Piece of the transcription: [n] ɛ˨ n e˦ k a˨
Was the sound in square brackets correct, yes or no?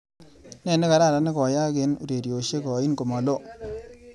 yes